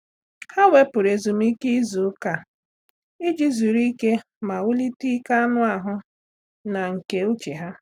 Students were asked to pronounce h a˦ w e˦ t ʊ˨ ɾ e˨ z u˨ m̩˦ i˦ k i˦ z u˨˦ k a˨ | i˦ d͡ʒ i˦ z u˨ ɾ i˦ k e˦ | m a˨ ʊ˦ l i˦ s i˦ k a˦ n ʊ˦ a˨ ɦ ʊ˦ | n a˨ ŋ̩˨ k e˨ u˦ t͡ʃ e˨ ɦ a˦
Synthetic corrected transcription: h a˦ w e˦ p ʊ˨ ɾ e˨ z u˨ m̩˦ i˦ k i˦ z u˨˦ k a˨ | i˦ d͡ʒ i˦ z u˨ ɾ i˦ k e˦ | m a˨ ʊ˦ l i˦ t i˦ k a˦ n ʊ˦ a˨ ɦ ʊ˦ | n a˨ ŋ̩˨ k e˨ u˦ t͡ʃ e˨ ɦ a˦